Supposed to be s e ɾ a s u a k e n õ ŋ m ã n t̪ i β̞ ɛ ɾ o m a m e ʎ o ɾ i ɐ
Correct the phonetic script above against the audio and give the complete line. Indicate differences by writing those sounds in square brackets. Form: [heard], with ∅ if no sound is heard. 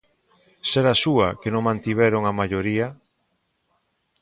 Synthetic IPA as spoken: s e ɾ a s u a k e n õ ŋ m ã n t̪ i β̞ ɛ ɾ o [ŋ] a m [a] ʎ o ɾ i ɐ

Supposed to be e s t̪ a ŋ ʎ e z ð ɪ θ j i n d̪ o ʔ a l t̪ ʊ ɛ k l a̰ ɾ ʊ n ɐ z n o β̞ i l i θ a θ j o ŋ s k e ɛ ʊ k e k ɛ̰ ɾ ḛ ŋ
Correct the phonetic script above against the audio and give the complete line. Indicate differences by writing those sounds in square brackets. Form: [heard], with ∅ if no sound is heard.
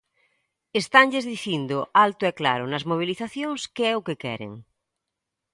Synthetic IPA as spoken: e s t̪ a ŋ ʎ e z ð [i] θ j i n d̪ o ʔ a l t̪ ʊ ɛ k l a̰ ɾ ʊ n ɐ z [m] o β̞ i l i θ a θ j o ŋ s k e ɛ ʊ k e k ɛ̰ ɾ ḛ ŋ

